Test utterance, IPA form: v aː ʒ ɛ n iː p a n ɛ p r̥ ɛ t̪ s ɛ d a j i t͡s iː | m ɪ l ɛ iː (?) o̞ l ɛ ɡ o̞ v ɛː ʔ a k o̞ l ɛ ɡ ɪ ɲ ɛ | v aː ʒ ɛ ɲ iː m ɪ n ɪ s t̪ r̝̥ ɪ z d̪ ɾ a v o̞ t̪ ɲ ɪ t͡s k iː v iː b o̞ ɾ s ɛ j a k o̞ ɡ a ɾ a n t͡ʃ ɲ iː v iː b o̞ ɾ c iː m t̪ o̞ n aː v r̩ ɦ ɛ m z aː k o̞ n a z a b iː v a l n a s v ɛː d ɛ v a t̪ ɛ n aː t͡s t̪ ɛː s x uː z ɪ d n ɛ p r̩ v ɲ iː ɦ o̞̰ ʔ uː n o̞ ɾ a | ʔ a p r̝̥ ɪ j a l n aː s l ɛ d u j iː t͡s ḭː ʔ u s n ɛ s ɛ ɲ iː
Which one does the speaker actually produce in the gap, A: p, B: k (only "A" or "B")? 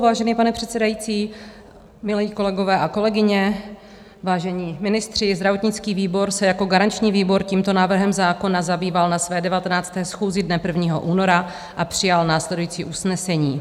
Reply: B